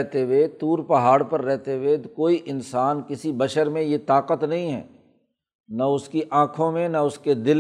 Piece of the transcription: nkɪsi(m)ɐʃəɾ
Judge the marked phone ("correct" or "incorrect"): incorrect